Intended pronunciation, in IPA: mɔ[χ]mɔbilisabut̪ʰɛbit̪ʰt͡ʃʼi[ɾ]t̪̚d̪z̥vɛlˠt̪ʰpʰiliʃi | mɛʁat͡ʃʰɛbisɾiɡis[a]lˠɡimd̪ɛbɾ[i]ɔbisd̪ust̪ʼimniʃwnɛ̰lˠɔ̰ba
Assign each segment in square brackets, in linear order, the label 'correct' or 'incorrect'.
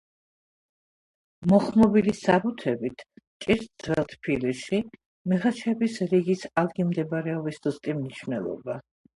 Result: correct, correct, correct, incorrect

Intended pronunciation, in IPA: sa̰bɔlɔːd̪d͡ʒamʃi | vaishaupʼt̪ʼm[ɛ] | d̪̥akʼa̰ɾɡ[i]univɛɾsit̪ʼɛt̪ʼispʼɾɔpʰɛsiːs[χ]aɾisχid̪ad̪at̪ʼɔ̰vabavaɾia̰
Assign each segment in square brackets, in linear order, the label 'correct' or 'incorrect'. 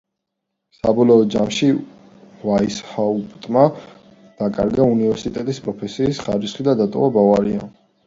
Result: incorrect, incorrect, correct

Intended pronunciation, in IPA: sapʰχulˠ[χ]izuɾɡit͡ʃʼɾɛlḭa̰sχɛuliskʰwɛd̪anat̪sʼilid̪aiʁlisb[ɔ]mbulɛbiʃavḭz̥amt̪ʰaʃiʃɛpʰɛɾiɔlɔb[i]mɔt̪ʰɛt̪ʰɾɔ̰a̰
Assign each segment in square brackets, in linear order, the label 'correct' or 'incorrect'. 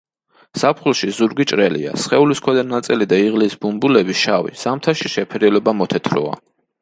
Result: incorrect, incorrect, incorrect

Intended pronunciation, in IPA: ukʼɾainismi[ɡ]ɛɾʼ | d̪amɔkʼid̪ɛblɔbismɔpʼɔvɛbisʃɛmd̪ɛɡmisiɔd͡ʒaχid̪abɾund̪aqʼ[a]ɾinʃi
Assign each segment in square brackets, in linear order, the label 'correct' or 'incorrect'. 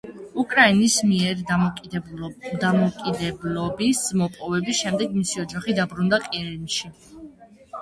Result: incorrect, incorrect

